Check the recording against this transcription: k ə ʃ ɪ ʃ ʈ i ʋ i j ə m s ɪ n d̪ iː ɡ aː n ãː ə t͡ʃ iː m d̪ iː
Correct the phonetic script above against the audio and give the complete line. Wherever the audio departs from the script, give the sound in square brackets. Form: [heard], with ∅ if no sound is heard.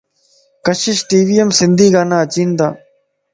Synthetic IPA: k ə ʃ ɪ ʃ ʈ [iː] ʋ i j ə m s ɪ n d̪ iː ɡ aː n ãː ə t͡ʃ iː [n] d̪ [aː]

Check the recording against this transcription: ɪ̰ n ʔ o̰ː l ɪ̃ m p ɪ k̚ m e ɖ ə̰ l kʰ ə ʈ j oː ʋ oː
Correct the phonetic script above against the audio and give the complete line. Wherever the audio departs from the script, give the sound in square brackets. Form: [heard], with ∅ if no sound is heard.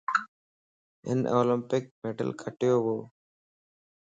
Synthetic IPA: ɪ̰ n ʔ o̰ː l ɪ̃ m p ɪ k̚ m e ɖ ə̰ l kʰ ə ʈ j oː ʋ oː

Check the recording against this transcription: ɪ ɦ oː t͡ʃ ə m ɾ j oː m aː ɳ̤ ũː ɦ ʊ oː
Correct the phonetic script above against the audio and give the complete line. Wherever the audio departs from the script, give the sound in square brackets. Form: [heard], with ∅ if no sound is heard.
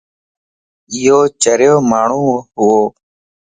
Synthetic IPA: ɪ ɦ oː t͡ʃ ə [∅] ɾ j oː m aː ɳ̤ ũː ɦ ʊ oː

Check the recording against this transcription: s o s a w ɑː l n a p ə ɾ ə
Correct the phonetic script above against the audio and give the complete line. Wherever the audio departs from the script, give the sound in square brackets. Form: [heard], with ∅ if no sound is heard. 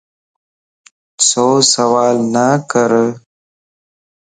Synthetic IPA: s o s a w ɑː l n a [k] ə ɾ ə

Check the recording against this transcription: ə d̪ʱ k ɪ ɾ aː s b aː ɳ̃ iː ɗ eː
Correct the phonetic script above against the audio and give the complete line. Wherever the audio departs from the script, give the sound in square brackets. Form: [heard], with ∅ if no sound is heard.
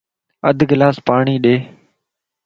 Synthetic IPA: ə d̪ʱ [ɡ] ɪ [l] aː s [p] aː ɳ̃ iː ɗ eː

